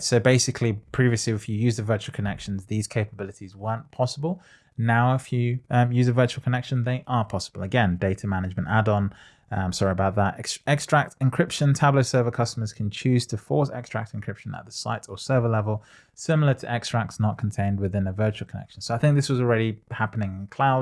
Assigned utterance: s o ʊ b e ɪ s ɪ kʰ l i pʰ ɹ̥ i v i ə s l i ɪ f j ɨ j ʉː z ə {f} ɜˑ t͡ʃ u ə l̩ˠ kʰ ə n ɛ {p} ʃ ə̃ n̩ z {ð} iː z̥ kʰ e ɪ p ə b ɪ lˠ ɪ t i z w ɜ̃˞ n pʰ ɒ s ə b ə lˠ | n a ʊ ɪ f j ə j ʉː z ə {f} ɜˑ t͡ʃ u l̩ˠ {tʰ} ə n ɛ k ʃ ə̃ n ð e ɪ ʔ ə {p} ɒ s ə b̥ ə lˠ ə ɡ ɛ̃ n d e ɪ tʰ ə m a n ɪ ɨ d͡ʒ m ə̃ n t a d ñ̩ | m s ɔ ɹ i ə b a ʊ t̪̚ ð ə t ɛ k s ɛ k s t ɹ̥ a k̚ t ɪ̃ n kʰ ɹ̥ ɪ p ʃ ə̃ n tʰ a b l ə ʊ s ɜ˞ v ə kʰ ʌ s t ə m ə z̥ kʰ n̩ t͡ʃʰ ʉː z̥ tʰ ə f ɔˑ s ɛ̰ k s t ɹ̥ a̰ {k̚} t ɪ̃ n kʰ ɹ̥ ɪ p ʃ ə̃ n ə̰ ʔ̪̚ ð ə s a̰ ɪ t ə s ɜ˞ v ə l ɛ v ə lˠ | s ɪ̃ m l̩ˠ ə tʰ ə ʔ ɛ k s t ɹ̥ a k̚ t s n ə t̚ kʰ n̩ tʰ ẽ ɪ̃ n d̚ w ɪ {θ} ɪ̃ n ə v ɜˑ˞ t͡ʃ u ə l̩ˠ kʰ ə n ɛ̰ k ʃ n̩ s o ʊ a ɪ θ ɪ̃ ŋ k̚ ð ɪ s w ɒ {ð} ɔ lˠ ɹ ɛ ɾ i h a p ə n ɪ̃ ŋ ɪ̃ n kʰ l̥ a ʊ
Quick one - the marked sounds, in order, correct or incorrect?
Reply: incorrect, incorrect, correct, incorrect, incorrect, incorrect, correct, incorrect, incorrect

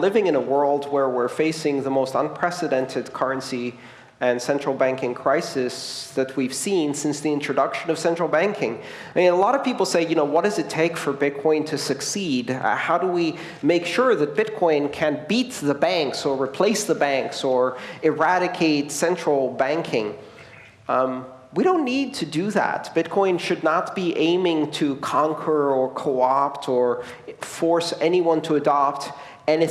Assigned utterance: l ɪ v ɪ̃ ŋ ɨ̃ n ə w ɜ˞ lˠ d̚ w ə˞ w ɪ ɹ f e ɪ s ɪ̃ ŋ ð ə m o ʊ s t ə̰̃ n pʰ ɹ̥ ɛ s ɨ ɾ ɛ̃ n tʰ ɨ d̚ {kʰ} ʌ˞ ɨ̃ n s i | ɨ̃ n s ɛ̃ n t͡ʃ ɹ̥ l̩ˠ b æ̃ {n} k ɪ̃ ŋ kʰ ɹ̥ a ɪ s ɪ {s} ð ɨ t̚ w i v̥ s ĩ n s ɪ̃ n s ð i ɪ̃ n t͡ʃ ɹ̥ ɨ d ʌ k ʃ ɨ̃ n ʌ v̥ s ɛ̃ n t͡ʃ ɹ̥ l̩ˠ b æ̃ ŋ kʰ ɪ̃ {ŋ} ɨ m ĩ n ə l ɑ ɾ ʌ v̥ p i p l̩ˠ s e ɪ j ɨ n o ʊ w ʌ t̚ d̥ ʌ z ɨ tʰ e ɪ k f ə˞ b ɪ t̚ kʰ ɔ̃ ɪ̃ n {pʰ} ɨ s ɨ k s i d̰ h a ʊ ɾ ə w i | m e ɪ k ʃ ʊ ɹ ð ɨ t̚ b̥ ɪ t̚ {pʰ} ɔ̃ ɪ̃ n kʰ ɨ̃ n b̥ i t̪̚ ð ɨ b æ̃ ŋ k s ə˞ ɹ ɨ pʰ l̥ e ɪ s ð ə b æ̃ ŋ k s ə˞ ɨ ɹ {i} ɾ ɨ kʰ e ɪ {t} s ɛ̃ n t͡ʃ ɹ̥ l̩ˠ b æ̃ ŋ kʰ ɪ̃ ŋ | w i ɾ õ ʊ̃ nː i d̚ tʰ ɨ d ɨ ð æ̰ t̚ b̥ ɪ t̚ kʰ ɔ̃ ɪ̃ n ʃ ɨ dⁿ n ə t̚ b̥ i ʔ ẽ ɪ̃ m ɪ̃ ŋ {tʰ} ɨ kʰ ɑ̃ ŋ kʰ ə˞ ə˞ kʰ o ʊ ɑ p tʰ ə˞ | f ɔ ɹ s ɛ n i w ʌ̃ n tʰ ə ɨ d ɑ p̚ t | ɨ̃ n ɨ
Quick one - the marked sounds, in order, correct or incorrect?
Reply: correct, incorrect, correct, correct, incorrect, incorrect, incorrect, correct, correct

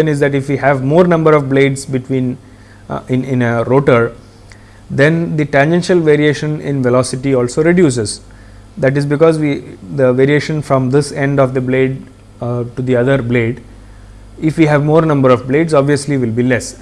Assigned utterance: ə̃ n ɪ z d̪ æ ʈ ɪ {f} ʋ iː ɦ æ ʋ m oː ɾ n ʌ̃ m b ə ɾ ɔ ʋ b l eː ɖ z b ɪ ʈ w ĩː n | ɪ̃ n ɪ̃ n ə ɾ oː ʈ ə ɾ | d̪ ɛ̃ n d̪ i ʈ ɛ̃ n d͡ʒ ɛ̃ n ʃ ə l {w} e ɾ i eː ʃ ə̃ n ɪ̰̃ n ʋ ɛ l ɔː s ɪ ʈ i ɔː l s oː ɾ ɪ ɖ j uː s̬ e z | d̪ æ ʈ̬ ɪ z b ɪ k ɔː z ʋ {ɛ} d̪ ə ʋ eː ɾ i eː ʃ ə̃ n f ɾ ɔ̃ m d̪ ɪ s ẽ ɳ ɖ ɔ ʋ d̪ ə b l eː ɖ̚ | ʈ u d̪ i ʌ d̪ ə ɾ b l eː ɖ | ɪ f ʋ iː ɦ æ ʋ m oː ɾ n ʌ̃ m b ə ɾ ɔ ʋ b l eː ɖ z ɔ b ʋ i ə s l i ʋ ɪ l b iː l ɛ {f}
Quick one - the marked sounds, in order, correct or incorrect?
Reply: correct, incorrect, incorrect, incorrect

